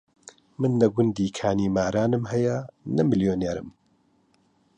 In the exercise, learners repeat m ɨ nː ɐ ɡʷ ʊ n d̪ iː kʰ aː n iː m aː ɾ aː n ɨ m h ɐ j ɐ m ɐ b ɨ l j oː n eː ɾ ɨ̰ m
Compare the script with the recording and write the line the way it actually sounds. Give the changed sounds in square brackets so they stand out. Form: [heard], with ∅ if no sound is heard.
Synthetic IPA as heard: m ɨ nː ɐ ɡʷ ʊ n d̪ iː kʰ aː n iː m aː ɾ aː n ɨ m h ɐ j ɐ [n] ɐ [m] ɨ l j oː n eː ɾ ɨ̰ m